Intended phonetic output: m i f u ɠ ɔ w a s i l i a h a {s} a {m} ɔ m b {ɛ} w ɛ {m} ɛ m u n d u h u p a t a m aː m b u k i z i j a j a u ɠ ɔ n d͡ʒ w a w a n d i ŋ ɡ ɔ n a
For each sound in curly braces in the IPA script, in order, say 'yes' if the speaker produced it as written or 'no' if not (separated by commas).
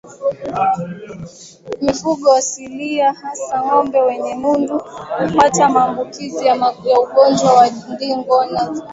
yes, no, yes, no